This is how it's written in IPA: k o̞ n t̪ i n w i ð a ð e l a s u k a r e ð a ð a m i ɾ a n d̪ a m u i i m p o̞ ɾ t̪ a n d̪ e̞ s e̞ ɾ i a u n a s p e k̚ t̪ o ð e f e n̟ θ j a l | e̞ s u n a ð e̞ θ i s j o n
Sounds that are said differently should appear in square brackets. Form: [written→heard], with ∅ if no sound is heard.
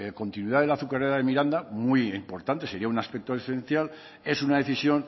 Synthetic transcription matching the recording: k o̞ n t̪ i n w i ð a ð e l a [s→θ] u k a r e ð a ð [a→e] m i ɾ a n d̪ a m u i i m p o̞ ɾ t̪ a n [d̪→t̪] e̞ s e̞ ɾ i a u n a s p e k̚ t̪ o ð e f e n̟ θ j a l | e̞ s u n a ð e̞ θ i s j o n